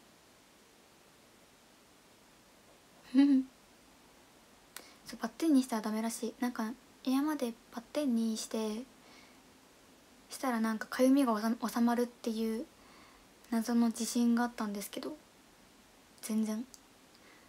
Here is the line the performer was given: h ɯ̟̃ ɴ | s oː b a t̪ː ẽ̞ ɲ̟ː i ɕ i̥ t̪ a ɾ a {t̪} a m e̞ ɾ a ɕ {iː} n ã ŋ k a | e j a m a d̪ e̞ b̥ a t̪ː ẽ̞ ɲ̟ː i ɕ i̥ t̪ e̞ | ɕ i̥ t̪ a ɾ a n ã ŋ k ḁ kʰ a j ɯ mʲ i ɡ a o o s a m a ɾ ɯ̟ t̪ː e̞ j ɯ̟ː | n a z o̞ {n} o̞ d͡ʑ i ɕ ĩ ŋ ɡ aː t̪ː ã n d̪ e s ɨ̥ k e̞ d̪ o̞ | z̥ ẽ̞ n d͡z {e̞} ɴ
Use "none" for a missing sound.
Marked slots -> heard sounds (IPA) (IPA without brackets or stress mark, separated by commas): d̪, iː, n, ẽ̞